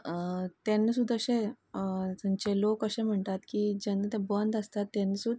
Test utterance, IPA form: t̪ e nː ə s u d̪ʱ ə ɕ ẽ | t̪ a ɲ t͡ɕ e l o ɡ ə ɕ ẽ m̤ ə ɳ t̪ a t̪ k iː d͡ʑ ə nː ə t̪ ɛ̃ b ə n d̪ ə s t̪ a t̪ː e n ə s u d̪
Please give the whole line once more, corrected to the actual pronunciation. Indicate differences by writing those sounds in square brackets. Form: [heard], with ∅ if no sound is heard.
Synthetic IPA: t̪ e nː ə s u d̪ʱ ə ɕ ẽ | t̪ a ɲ t͡ɕ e l o [k] ə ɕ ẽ m̤ ə ɳ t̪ a t̪ k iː d͡ʑ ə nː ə t̪ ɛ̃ b ə n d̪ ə s t̪ a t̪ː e n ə s u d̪